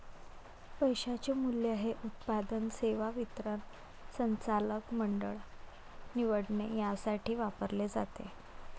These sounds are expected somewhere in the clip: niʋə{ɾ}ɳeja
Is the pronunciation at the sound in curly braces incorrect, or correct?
incorrect